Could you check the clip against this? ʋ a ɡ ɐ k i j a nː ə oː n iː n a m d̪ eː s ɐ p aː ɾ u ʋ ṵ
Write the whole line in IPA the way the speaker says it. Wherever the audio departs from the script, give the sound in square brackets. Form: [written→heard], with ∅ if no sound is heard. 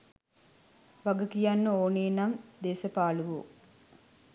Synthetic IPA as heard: ʋ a ɡ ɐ k i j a nː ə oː n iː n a m d̪ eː s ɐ p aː [ɾ→l] u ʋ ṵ